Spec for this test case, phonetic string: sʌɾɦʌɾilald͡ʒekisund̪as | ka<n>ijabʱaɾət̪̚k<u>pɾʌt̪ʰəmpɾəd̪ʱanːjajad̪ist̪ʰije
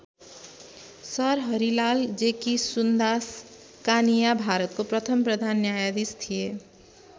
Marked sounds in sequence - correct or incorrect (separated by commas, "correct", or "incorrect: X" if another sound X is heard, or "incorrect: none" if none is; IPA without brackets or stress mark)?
correct, incorrect: o